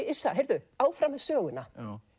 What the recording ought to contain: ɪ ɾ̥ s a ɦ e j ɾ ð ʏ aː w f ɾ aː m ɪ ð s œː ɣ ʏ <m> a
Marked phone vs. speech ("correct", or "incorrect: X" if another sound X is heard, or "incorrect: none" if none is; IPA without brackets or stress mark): incorrect: n